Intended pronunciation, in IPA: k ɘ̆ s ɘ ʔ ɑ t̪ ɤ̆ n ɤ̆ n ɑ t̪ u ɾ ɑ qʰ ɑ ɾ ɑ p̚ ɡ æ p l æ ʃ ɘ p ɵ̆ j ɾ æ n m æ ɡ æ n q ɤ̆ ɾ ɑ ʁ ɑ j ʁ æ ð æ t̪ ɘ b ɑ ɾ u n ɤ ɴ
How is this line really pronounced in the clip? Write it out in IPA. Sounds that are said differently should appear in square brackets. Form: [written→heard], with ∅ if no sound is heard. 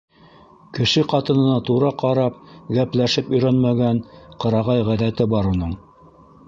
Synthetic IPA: k ɘ̆ [s→ʃ] ɘ [ʔ→q] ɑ t̪ ɤ̆ n ɤ̆ n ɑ t̪ u ɾ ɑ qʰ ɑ ɾ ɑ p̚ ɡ æ p l æ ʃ ɘ p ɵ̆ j ɾ æ n m æ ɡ æ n q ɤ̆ ɾ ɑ ʁ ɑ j ʁ æ ð æ t̪ ɘ b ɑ ɾ u n ɤ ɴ

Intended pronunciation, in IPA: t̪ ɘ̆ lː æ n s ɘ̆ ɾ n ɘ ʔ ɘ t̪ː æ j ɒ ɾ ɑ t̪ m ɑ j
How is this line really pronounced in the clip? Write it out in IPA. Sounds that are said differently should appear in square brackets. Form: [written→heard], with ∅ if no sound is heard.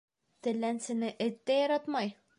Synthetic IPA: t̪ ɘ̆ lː æ n s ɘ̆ [ɾ→∅] n ɘ ʔ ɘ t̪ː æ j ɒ ɾ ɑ t̪ m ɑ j

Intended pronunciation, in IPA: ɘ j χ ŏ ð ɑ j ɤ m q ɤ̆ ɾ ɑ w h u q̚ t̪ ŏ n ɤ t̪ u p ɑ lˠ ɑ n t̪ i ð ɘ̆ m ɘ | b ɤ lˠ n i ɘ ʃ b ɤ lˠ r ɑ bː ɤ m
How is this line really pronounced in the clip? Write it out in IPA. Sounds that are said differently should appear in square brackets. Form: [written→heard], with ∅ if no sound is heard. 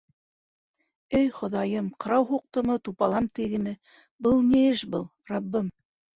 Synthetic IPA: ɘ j χ ŏ ð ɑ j ɤ m q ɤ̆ ɾ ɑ w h u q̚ t̪ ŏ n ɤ t̪ u p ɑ lˠ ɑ [n→m] t̪ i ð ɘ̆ m ɘ | b ɤ lˠ n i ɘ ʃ b ɤ lˠ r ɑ bː ɤ m

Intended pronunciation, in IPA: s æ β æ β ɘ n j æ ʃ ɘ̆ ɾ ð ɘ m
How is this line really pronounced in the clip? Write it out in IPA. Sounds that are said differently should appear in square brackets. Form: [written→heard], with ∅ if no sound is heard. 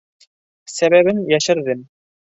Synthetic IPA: s æ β æ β ɘ n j æ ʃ ɘ̆ ɾ ð ɘ m

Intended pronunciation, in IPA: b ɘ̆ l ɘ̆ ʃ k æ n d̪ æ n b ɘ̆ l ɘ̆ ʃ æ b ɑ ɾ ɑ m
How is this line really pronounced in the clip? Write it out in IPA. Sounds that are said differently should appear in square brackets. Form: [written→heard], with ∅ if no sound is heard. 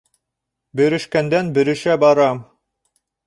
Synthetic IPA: b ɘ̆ [l→ɾ] ɘ̆ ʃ k æ n d̪ æ n b ɘ̆ [l→ɾ] ɘ̆ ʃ æ b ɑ ɾ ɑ m

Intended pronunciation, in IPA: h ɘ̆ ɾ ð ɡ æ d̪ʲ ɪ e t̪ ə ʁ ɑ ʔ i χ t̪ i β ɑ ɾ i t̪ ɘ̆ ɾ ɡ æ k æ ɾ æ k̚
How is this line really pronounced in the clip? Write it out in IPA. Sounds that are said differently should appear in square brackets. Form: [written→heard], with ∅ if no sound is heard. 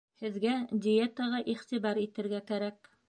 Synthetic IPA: h ɘ̆ [ɾ→∅] ð ɡ æ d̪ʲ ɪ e t̪ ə ʁ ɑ ʔ i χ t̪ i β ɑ ɾ i t̪ ɘ̆ ɾ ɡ æ k æ ɾ æ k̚

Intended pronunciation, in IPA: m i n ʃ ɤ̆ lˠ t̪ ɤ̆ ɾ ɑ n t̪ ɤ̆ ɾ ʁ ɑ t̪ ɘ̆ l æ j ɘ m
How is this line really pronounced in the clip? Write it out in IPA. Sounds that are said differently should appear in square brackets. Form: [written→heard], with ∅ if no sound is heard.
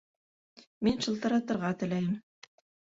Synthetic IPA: m i n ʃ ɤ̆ lˠ t̪ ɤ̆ ɾ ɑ [n→∅] t̪ ɤ̆ ɾ ʁ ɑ t̪ ɘ̆ l æ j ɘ m

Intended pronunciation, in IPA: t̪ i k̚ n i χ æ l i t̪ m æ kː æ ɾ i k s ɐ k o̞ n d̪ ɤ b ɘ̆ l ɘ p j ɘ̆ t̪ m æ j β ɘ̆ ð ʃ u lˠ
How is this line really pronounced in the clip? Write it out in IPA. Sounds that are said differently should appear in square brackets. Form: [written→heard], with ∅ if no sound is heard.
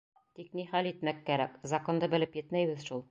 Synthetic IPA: t̪ i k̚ n i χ æ l i t̪ m æ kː æ ɾ [i→æ] k [s→z] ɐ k o̞ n d̪ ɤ b ɘ̆ l ɘ p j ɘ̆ t̪ m æ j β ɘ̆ ð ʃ u lˠ

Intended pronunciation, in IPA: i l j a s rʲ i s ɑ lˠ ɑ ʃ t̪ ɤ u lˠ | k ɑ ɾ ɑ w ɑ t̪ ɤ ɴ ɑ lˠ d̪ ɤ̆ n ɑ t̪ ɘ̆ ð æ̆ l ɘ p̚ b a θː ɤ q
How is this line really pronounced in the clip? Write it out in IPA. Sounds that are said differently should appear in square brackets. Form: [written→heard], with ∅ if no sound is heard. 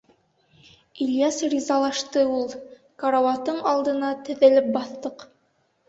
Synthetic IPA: i l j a s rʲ i [s→z] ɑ lˠ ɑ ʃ t̪ ɤ u lˠ | k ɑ ɾ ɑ w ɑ t̪ ɤ ɴ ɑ lˠ d̪ ɤ̆ n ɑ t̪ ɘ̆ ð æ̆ l ɘ p̚ b [a→ɑ] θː ɤ q

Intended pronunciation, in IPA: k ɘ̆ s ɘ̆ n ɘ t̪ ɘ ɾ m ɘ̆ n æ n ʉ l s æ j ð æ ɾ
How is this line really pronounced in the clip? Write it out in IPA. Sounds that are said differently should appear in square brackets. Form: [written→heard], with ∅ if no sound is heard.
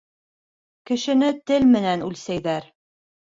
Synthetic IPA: k ɘ̆ [s→ʃ] ɘ̆ n ɘ t̪ ɘ [ɾ→l] m ɘ̆ n æ n ʉ l s æ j ð æ ɾ

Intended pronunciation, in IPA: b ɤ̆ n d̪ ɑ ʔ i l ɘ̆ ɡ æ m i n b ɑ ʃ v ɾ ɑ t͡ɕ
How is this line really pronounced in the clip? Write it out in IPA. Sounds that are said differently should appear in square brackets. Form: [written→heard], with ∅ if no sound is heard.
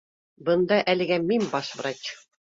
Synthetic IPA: b ɤ̆ n d̪ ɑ ʔ [i→æ] l ɘ̆ ɡ æ m i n b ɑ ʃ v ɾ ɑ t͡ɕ

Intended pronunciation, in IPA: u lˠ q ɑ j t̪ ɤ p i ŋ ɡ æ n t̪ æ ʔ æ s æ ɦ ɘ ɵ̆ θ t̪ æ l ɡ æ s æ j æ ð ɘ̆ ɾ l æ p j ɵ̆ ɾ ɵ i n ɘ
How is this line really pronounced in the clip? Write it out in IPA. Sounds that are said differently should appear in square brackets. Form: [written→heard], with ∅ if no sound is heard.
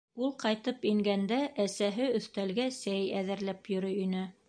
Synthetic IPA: u lˠ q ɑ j t̪ ɤ p i ŋ ɡ æ n [t̪→d̪] æ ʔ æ s æ ɦ ɘ ɵ̆ θ t̪ æ l ɡ æ s æ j æ ð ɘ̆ ɾ l æ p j ɵ̆ ɾ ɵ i n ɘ

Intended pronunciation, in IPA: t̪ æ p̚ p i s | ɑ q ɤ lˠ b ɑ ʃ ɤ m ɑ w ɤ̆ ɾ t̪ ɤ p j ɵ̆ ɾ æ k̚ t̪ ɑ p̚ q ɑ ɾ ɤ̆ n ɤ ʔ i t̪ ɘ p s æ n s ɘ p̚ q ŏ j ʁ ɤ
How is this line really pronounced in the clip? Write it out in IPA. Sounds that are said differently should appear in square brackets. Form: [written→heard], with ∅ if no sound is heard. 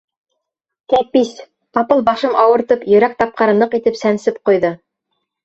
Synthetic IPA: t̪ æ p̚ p i s | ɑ [q→p] ɤ lˠ b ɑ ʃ ɤ m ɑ w ɤ̆ ɾ t̪ ɤ p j ɵ̆ ɾ æ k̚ t̪ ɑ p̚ q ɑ ɾ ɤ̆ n ɤ [ʔ→q] i t̪ ɘ p s æ n s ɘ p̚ q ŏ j [ʁ→ð] ɤ

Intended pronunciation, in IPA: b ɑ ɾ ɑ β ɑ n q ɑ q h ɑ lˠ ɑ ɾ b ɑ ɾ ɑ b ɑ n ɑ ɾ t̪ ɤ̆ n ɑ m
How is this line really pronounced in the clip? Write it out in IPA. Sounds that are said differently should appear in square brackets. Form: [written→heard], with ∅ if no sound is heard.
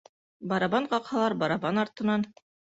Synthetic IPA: b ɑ ɾ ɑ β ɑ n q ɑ q h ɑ lˠ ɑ ɾ b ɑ ɾ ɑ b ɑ n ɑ ɾ t̪ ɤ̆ n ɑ [m→n]

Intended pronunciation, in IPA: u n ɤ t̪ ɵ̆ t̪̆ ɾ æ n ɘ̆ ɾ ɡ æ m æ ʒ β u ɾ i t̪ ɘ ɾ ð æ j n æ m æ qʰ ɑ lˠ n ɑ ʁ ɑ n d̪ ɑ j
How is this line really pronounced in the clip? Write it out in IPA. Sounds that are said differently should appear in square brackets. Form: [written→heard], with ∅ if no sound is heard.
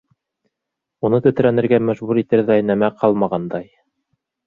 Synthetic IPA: u n ɤ t̪ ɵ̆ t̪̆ ɾ æ n ɘ̆ ɾ ɡ æ m æ ʒ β u ɾ i t̪ ɘ ɾ ð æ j n æ m æ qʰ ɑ lˠ [n→m] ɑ ʁ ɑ n d̪ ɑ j

